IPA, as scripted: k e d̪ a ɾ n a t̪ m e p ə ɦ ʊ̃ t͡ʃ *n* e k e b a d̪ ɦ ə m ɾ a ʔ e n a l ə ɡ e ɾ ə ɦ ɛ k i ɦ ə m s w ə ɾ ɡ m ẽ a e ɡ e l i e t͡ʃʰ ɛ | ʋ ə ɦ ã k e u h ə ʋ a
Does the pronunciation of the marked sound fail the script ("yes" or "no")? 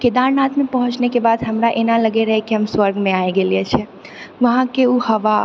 no